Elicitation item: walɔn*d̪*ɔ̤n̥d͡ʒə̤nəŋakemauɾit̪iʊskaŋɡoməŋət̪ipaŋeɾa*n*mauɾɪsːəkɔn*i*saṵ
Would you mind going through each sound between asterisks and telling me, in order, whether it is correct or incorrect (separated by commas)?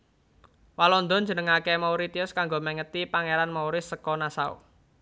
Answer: correct, correct, incorrect